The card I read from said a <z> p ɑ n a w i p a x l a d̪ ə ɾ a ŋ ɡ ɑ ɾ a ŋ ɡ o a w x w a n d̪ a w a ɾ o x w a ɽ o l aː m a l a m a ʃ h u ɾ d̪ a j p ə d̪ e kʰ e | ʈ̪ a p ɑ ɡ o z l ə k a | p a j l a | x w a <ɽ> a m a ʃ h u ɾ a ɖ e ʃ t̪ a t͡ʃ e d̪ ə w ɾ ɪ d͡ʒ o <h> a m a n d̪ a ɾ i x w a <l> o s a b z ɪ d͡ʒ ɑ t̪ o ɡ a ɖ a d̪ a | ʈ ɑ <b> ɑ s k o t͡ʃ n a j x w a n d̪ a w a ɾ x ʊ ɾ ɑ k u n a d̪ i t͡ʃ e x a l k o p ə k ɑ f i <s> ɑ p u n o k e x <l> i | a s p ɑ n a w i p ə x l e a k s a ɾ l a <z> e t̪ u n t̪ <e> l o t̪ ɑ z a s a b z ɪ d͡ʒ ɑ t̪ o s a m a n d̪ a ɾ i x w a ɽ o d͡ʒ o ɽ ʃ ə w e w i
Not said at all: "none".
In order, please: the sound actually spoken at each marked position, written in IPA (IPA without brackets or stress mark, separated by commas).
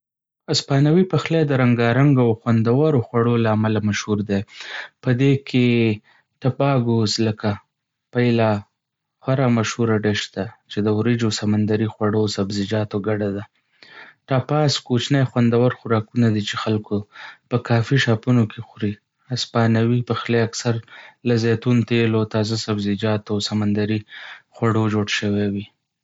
s, ɾ, s, ɽ, p, ʃ, ɾ, z, e